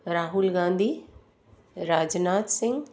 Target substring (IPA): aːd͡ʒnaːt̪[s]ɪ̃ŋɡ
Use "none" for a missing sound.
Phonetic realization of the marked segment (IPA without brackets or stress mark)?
s